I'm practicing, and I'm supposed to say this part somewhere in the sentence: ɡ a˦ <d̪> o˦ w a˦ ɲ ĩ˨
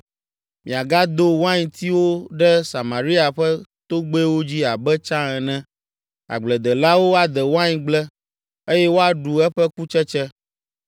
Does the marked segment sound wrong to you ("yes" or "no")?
no